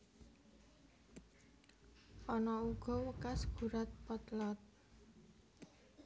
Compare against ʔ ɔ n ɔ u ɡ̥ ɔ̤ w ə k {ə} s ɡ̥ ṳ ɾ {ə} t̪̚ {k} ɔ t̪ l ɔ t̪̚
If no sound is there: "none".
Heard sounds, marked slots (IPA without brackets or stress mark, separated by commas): a, a, p